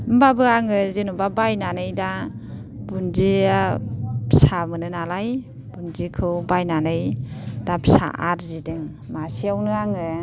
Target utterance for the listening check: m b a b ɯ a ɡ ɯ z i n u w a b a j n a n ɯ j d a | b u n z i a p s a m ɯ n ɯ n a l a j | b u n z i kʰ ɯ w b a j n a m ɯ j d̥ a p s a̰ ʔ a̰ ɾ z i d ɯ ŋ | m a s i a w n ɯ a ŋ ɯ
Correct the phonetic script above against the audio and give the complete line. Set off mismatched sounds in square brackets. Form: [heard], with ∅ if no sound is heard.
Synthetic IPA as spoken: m b a b ɯ a [ŋ] ɯ z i n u [b] a b a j n a n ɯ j d a | b u n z i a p s a m ɯ n ɯ n a l a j | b u n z i kʰ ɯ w b a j n a [n] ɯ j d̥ a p s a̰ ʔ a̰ ɾ z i d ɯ ŋ | m a s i a w n ɯ a ŋ ɯ